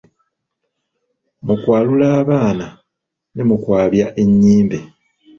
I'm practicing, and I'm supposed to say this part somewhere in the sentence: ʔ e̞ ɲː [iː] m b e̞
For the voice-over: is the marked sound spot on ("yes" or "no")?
yes